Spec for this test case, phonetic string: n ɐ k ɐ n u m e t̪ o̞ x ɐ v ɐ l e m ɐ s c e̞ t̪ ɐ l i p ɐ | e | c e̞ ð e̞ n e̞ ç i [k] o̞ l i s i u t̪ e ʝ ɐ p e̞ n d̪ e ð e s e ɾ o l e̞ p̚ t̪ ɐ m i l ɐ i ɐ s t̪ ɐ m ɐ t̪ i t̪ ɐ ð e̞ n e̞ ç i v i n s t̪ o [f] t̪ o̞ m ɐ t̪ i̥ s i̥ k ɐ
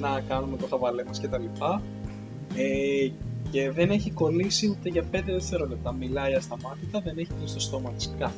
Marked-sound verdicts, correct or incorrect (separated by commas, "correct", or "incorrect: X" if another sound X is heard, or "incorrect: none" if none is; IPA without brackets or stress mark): correct, incorrect: s